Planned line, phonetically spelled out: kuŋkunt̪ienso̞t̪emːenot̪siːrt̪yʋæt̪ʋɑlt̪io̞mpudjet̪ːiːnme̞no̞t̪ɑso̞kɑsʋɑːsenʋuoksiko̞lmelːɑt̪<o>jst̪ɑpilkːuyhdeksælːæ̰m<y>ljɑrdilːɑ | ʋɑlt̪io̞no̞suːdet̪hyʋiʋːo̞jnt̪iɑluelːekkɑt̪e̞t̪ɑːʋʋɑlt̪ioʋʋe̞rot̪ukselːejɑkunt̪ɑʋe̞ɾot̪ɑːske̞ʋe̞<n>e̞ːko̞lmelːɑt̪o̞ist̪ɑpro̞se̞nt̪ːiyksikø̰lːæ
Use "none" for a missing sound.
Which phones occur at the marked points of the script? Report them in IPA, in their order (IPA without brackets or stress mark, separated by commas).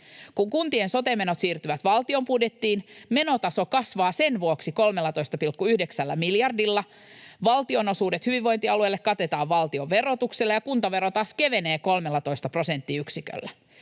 o, i, n